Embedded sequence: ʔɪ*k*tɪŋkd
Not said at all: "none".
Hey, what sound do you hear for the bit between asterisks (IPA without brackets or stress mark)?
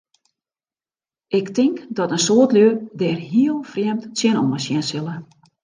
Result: k